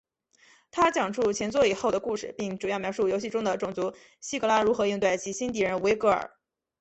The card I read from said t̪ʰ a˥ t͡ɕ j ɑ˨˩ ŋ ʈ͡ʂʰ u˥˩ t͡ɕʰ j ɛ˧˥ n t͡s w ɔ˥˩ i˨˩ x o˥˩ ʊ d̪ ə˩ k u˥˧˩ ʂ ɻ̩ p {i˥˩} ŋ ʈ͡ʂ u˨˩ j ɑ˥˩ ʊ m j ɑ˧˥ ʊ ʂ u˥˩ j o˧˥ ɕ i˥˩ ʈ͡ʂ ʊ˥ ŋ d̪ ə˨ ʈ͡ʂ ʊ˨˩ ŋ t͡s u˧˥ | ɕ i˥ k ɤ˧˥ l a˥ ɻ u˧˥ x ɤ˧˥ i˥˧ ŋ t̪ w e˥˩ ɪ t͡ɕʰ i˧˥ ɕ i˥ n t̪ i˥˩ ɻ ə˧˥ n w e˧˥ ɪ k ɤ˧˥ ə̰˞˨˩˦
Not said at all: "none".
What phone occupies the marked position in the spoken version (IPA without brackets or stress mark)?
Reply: i˥˩